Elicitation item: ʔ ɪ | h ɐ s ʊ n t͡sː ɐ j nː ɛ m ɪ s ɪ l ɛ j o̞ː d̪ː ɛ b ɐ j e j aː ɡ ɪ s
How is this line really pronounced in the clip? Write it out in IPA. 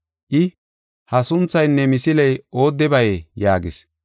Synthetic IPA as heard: ʔ ɪ | h ɐ s ʊ n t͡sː ɐ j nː ɛ m ɪ s ɪ l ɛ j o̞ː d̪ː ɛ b ɐ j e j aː ɡ ɪ s